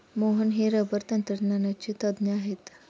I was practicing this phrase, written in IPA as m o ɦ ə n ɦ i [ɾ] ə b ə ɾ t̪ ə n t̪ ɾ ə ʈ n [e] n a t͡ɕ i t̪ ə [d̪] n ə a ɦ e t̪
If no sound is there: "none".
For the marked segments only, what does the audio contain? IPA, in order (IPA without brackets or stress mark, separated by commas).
ɾ, a, d̪